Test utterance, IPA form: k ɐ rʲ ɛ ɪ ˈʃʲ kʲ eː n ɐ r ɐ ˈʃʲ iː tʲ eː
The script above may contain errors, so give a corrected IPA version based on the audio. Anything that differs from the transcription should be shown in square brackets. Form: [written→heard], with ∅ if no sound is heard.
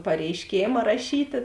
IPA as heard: [k→p] ɐ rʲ ɛ ɪ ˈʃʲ kʲ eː [n→m] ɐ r ɐ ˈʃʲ iː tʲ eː